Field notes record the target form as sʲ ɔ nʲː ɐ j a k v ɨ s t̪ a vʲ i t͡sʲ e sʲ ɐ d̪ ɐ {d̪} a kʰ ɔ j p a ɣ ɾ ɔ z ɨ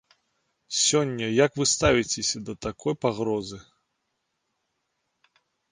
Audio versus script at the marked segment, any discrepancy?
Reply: yes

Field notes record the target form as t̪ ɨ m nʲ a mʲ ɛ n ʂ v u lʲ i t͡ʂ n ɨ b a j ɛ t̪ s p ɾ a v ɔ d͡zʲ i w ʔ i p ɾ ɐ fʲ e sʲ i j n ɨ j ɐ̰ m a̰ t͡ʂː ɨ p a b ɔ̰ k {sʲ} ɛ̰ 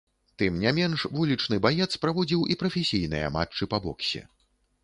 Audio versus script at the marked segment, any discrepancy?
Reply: no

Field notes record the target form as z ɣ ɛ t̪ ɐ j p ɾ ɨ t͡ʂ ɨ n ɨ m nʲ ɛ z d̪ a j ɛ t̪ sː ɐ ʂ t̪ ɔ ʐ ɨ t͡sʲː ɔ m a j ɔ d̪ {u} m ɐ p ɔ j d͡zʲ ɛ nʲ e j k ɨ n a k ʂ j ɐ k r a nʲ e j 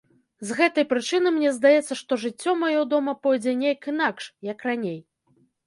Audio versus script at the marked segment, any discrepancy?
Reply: yes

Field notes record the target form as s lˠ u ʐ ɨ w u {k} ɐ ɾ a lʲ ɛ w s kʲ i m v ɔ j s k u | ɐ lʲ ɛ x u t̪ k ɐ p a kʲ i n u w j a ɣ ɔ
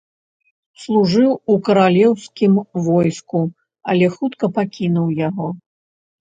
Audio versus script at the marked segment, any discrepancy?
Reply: no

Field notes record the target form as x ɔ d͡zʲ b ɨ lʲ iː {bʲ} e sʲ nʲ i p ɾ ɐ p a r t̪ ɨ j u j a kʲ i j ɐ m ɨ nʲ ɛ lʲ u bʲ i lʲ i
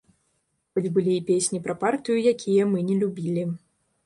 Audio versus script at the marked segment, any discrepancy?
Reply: yes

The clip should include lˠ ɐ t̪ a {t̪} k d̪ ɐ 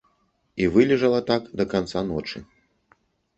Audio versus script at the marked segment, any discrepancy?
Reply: yes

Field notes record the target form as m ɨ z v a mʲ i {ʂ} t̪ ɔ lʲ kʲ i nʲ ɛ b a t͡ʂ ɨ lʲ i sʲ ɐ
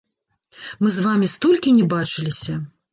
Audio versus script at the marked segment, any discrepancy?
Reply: yes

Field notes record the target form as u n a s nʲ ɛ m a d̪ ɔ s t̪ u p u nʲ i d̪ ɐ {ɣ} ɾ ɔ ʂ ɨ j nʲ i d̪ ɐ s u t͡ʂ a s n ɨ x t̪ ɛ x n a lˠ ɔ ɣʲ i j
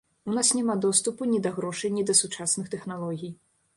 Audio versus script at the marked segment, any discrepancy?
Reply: no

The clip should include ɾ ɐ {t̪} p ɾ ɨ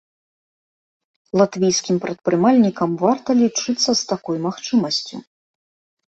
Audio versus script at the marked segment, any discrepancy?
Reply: no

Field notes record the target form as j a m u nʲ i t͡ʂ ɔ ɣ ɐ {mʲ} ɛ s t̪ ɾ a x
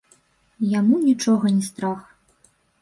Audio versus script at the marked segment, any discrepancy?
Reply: yes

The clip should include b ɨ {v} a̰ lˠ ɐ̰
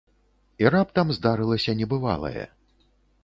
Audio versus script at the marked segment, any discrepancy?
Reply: no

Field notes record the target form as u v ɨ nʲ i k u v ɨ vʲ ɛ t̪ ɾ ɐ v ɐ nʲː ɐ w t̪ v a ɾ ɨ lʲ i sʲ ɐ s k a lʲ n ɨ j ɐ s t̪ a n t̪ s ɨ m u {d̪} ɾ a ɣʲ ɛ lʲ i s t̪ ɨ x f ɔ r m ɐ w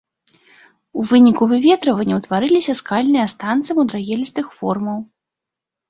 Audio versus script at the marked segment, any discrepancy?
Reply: no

